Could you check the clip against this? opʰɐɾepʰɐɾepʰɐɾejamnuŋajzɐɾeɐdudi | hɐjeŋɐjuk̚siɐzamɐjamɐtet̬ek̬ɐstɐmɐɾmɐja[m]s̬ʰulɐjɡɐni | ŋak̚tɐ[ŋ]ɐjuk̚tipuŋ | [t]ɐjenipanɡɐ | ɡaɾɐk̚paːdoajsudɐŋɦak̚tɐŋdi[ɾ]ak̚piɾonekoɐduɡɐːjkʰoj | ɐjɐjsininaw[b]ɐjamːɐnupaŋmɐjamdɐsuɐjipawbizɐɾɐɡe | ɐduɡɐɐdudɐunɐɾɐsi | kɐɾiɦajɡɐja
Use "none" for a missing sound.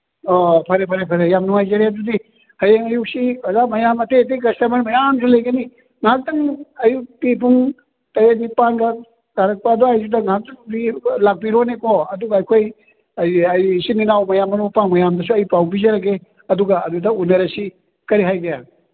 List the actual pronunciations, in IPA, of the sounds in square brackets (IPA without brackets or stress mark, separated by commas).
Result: m, ŋ, t, l, m